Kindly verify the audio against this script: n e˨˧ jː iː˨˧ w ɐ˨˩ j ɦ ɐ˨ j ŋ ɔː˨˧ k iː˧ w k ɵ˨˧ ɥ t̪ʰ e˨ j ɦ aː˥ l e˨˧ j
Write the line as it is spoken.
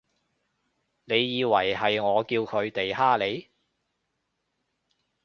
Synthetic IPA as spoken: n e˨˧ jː iː˨˧ w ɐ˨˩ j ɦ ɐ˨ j ŋ ɔː˨˧ k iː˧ w kʰ ɵ˨˧ ɥ t̪ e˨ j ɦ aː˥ l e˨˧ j